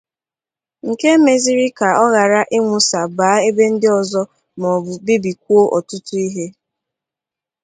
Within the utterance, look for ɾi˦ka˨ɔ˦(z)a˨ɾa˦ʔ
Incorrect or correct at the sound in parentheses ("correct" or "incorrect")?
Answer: incorrect